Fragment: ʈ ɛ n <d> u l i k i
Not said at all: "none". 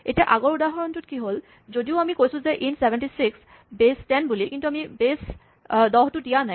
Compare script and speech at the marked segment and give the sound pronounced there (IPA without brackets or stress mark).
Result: b